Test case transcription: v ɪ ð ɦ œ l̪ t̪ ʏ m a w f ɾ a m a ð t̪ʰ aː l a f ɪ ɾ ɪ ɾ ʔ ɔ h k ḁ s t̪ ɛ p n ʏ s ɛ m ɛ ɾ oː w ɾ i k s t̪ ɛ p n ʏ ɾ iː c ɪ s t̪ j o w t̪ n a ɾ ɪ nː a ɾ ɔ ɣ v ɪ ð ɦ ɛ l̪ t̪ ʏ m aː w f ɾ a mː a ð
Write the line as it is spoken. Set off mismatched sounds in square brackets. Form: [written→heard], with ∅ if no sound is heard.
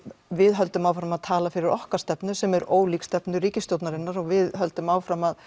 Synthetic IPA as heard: v ɪ ð ɦ œ l̪ t̪ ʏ m a w f ɾ a m a ð t̪ʰ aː l a f ɪ ɾ ɪ ɾ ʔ ɔ h k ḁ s t̪ ɛ p n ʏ s ɛ m ɛ ɾ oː w [ɾ→l] i k s t̪ ɛ p n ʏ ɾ iː c ɪ s t̪ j o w t̪ n a ɾ ɪ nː a ɾ ɔ ɣ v ɪ ð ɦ [ɛ→œ] l̪ t̪ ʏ m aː w f ɾ a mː a ð